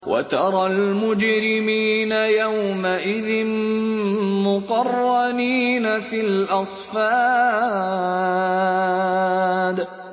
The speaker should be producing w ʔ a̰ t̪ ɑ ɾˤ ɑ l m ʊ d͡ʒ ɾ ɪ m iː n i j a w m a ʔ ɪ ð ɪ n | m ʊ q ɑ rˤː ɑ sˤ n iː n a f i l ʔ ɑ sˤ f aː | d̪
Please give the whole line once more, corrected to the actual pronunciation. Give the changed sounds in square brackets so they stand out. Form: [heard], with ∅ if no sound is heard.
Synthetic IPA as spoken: w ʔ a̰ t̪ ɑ ɾˤ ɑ l m ʊ d͡ʒ ɾ ɪ m iː n [a] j a w m a ʔ ɪ ð ɪ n | m ʊ q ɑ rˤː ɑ [∅] n iː n a f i l ʔ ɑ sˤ f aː | d̪